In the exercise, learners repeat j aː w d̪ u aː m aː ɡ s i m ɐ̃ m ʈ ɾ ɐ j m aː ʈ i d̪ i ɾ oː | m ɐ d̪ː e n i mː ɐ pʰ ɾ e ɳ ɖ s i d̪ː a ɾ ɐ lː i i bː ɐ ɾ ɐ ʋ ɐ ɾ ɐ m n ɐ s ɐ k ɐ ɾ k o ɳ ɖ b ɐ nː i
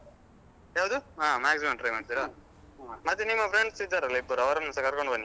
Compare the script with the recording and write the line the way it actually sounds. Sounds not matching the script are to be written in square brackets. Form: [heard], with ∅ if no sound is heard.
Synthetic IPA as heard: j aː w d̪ u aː m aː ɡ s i m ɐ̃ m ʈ ɾ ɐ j m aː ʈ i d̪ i ɾ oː | m ɐ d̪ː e n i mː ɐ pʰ ɾ e ɳ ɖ s i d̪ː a ɾ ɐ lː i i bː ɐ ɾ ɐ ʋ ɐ ɾ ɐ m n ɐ s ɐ k ɐ ɾ k o ɳ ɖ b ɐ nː i